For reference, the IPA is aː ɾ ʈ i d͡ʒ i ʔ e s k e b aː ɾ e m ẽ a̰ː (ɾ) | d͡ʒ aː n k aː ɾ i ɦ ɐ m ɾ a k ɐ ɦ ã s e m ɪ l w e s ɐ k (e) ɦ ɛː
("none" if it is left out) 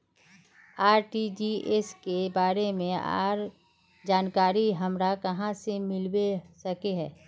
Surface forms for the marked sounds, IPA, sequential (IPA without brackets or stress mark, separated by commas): ɾ, e